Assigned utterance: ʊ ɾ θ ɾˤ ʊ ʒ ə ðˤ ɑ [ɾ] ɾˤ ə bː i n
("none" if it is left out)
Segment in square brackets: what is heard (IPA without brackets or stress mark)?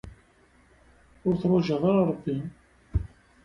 ɾ